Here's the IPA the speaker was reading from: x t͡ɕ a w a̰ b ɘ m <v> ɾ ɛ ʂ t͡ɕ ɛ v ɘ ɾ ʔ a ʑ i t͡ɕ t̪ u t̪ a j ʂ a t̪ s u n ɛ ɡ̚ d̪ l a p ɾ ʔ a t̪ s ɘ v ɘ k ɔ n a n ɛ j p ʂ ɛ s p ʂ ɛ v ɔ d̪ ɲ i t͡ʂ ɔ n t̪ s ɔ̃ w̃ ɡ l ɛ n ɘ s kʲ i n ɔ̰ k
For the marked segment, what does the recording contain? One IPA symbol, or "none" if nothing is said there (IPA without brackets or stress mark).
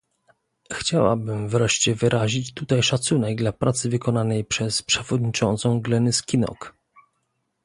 v